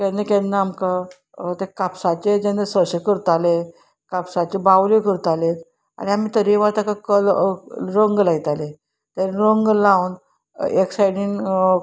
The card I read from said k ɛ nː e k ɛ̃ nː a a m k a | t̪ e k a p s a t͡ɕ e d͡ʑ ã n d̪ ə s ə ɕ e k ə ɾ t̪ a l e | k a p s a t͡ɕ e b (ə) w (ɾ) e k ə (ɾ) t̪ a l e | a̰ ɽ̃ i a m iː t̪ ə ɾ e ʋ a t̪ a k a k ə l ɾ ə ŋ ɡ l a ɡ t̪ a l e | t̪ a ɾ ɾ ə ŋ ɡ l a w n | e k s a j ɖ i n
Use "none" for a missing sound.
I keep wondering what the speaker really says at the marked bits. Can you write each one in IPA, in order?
a, l, ɾ

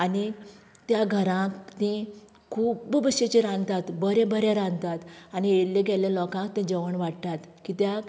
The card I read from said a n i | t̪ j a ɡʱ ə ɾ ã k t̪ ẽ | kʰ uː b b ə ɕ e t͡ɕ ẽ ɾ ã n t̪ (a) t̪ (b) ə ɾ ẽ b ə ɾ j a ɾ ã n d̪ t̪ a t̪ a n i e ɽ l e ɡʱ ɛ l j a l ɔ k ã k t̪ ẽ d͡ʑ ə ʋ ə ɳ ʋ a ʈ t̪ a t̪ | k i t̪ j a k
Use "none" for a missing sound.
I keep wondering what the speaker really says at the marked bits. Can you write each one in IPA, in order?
a, b

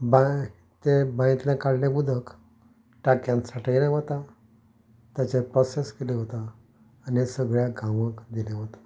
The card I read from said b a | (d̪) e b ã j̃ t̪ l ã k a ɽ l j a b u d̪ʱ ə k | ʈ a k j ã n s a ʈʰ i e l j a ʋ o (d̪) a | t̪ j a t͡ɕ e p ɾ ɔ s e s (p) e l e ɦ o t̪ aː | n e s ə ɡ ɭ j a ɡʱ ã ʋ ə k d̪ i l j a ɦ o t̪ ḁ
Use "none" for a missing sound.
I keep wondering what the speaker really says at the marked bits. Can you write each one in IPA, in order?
t̪, t̪, k

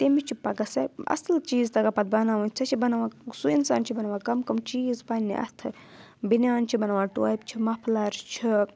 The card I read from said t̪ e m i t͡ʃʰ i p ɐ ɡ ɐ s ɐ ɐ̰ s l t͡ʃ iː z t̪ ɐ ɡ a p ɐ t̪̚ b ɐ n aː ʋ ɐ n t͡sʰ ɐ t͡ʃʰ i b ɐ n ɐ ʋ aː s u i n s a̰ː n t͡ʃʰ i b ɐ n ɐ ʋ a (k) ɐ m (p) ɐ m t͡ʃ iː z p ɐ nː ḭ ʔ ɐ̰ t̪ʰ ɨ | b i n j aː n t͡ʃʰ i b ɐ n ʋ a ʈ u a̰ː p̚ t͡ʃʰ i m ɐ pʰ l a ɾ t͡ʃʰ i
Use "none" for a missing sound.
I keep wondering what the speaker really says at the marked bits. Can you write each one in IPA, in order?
k, k

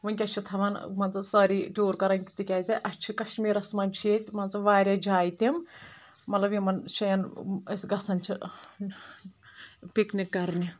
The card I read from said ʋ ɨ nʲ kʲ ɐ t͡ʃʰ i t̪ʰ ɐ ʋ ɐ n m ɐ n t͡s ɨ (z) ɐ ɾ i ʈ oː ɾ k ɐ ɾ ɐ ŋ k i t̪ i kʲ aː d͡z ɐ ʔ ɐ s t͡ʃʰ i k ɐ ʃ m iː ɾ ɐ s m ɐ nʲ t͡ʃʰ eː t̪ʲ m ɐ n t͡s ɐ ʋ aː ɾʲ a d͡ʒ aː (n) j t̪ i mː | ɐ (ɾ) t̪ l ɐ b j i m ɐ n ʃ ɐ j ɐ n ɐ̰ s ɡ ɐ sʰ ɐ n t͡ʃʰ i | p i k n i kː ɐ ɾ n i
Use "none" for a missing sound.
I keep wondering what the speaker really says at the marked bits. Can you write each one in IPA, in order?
s, none, none

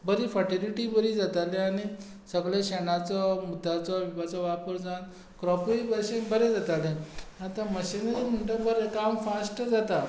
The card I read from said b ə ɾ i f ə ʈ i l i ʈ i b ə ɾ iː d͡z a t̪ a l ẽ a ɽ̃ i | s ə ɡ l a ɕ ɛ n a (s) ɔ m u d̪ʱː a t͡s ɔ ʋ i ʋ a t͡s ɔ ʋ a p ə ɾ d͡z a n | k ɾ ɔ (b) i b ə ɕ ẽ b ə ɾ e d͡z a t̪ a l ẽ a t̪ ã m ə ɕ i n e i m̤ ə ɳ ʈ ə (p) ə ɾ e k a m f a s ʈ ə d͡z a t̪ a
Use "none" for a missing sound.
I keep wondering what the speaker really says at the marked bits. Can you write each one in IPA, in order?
t͡s, p, b

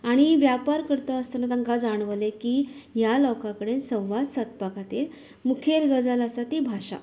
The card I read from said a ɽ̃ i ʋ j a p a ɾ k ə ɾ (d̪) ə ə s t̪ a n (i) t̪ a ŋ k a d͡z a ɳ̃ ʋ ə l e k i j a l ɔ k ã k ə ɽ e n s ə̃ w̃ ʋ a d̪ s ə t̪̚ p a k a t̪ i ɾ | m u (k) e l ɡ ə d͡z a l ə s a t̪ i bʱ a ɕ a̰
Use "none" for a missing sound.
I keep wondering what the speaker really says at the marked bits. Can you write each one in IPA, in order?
t̪, a, kʰ

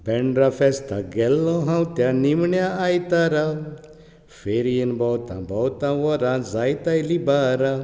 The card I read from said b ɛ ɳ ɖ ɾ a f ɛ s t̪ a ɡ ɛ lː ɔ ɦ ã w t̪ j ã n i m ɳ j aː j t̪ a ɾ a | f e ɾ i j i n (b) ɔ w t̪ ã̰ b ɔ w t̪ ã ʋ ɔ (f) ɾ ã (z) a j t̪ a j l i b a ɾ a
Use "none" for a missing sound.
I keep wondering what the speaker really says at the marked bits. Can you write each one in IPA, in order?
b, none, z

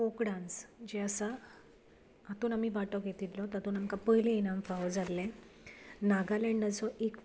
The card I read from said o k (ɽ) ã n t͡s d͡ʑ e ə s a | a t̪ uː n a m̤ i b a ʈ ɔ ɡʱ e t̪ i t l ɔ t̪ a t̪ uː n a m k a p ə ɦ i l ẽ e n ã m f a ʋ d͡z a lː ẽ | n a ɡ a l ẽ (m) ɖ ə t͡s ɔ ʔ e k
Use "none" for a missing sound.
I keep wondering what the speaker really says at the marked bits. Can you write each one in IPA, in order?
ɽ, ɳ

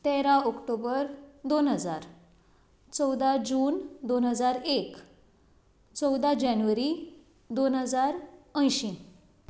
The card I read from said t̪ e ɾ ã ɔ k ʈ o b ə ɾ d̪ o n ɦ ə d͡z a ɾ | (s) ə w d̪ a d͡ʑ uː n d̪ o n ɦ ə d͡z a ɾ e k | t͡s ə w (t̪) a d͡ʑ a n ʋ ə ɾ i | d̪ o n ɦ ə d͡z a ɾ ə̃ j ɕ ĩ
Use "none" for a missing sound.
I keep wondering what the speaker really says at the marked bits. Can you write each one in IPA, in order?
t͡s, d̪

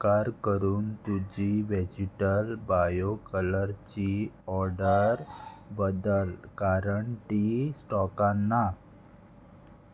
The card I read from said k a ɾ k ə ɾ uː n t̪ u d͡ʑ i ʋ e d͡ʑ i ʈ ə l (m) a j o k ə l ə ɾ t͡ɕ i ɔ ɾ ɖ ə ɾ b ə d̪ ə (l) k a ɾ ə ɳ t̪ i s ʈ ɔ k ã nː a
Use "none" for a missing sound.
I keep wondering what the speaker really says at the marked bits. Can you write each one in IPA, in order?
b, l

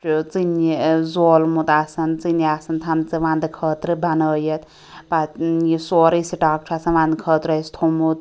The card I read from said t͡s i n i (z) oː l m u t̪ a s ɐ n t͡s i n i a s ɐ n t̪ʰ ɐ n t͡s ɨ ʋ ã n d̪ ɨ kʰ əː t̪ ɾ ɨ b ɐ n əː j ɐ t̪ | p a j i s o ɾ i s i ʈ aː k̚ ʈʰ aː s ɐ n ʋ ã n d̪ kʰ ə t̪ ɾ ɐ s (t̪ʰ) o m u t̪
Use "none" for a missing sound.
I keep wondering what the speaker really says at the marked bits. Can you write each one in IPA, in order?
z, t̪ʰ

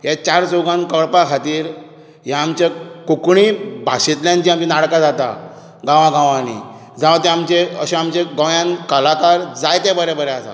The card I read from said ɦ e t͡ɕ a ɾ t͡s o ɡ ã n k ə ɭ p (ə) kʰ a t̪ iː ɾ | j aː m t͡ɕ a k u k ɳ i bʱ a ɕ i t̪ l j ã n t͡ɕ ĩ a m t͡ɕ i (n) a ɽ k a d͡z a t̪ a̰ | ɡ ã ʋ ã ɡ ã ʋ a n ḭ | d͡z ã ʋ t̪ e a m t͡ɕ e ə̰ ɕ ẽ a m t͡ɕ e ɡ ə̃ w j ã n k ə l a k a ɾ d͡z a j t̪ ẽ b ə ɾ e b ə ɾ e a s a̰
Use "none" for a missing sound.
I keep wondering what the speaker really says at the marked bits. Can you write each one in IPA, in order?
a, n

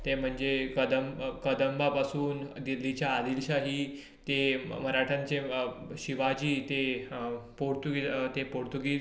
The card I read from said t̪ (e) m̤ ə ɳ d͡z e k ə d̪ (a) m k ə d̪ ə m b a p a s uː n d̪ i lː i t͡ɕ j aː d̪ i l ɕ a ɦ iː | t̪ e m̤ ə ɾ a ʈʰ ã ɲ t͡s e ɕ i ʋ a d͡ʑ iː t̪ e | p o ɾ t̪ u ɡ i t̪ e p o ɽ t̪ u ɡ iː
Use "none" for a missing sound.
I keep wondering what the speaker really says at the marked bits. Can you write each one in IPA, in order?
e, ə

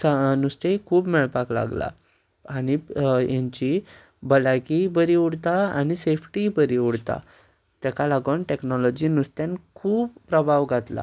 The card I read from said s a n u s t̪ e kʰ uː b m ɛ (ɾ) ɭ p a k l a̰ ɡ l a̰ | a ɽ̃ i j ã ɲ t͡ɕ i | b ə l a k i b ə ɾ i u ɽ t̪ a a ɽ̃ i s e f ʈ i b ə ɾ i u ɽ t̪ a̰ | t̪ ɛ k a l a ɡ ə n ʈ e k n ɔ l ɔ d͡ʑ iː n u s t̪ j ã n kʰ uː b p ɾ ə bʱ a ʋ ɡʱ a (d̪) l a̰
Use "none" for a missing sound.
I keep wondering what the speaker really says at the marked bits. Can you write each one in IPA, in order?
none, t̪

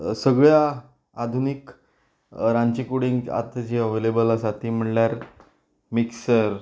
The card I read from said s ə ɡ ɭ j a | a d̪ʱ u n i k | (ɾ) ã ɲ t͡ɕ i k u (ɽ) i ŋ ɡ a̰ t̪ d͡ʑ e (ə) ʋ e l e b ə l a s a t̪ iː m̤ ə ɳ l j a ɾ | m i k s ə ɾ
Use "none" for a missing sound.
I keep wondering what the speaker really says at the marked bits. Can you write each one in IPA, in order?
ɾ, ɽ, ə

